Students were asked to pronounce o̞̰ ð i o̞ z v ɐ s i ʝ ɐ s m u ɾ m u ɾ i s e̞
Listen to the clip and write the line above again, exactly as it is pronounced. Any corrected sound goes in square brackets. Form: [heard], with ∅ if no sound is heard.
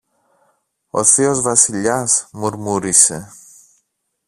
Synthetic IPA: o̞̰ [θ] i o̞ z v ɐ s i [ʎ] ɐ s m u ɾ m u ɾ i s e̞